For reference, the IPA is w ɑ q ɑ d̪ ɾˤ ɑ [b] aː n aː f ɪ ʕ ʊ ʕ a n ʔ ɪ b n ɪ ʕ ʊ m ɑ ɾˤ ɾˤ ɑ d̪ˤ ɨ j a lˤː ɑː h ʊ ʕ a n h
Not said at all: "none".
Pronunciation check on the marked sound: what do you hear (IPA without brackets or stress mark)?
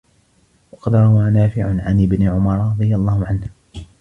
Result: w